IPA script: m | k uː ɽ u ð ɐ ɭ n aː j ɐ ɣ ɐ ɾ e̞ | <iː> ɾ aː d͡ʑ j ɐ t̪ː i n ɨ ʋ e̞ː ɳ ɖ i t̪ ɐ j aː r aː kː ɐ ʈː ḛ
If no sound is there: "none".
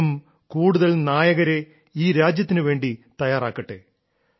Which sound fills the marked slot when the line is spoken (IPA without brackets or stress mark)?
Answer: iː